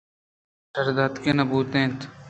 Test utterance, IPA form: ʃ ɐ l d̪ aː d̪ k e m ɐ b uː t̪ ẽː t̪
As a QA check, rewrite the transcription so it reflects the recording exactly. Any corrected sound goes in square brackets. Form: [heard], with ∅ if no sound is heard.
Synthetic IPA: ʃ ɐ [ɾ] d̪ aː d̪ k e [n] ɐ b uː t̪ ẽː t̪